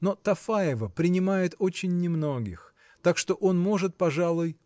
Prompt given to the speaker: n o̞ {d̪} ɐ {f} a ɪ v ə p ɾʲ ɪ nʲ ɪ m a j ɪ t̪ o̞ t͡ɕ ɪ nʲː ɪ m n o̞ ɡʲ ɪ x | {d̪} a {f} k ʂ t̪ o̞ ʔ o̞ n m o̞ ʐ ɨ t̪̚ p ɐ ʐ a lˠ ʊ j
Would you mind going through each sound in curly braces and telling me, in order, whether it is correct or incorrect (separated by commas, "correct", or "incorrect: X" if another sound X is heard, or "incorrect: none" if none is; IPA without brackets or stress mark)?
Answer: incorrect: t̪, correct, incorrect: t̪, incorrect: none